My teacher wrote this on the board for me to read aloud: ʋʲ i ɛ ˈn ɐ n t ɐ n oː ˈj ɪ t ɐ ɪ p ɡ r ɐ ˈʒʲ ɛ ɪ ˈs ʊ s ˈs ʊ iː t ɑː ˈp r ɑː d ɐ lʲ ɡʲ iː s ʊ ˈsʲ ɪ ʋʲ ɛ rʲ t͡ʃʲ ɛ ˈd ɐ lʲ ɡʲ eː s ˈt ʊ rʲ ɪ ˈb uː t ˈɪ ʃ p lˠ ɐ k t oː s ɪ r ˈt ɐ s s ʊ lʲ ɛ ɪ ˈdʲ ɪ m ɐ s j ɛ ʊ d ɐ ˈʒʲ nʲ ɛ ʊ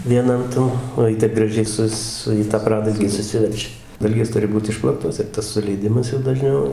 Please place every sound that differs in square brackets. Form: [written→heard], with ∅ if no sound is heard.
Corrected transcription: ʋʲ i ɛ ˈn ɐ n t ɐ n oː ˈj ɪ t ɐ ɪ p ɡ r ɐ ˈʒʲ ɛ ɪ ˈs ʊ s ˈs ʊ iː t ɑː ˈp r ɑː d ɐ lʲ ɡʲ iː s ʊ ˈsʲ ɪ ʋʲ ɛ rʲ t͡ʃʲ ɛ ˈd ɐ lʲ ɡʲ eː s ˈt ʊ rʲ ɪ ˈb uː t ˈɪ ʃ p lˠ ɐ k t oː s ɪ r ˈt ɐ s s ʊ lʲ ɛ ɪ ˈdʲ ɪ m ɐ s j ɛ ʊ d ɐ ˈʒʲ nʲ ɛ ʊ